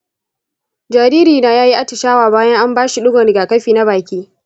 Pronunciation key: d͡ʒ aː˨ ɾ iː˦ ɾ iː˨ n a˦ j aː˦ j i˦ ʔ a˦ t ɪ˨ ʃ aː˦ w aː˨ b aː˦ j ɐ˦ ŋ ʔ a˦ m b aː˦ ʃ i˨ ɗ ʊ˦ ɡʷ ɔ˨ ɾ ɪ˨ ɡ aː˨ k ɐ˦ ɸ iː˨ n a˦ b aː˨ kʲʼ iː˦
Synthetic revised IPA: d͡ʒ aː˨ ɾ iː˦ ɾ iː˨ n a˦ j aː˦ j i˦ ʔ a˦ t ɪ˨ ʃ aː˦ w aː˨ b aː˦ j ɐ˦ ŋ ʔ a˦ m b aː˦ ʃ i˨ ɗ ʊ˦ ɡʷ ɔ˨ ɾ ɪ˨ ɡ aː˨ k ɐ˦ ɸ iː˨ n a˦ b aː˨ kʲ iː˦